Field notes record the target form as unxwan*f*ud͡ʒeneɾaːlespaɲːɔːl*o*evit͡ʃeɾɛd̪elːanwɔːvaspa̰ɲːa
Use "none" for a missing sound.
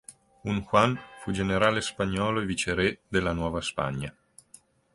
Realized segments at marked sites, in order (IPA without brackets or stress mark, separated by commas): f, o